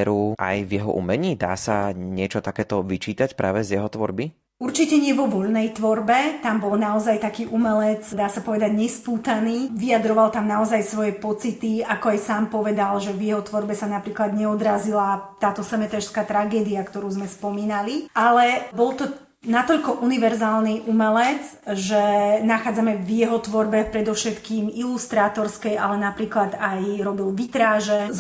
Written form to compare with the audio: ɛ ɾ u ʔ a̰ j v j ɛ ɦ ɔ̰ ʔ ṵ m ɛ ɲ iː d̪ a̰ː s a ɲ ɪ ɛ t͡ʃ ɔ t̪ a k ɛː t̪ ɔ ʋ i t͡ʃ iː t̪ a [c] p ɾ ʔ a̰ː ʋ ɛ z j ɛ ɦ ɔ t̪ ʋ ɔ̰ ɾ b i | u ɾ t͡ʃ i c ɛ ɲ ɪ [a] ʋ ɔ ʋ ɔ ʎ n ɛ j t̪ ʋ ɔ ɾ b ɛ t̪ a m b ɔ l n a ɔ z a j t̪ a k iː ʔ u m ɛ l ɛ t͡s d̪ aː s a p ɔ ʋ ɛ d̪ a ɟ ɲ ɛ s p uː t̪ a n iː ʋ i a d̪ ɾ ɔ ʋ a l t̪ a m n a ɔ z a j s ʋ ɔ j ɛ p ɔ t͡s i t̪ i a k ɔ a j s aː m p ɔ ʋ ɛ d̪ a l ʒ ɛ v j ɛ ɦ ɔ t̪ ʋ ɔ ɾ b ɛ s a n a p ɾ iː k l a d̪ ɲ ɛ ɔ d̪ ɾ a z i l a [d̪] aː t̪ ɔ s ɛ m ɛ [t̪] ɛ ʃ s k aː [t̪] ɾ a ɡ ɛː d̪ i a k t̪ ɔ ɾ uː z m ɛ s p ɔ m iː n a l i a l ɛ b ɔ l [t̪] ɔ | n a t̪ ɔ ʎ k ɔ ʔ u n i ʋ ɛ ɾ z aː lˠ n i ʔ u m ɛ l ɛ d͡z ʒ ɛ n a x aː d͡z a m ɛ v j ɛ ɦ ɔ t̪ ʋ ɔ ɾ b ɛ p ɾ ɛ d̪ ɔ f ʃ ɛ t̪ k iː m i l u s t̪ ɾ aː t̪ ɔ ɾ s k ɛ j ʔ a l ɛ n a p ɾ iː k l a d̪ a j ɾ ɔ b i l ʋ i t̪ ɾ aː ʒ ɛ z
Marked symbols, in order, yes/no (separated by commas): yes, no, no, yes, yes, yes